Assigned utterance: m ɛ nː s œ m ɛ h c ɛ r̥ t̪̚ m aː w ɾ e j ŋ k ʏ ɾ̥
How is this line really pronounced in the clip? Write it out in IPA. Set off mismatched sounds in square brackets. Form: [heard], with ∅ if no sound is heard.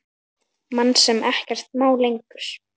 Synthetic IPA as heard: m [a] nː s [ɛ] m ɛ h c ɛ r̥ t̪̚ m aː w [l] e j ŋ k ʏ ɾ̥